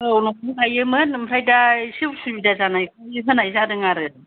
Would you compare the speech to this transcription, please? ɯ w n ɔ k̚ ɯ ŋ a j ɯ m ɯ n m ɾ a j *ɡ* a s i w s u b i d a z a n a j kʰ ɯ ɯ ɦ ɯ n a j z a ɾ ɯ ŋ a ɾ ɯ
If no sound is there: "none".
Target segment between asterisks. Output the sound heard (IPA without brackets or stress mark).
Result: d